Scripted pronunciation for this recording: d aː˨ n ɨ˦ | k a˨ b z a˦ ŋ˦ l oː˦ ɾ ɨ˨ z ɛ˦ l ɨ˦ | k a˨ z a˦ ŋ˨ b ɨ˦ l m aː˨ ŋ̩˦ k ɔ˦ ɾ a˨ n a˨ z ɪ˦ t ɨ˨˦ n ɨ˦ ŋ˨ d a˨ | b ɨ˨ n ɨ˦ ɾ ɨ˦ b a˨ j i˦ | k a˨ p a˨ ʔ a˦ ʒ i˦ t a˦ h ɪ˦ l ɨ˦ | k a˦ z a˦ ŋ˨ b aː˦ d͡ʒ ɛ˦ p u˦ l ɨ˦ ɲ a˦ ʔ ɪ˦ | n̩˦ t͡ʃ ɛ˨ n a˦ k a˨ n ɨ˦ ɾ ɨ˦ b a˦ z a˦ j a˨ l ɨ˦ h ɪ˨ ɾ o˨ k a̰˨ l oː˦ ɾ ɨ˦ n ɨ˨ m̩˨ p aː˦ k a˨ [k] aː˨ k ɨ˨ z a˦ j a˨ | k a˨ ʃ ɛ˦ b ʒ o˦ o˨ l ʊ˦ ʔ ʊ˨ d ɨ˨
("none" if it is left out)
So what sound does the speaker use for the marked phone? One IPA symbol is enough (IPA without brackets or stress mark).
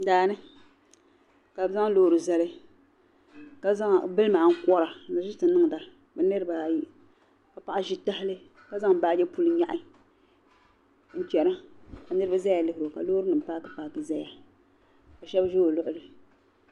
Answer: p